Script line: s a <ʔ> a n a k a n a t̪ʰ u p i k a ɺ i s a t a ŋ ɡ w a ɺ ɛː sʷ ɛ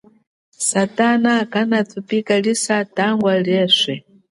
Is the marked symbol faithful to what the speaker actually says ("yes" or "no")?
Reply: no